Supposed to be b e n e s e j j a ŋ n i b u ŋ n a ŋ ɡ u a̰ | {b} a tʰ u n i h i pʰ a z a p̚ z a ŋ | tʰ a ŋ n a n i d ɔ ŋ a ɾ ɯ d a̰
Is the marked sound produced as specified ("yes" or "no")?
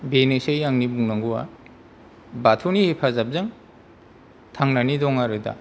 yes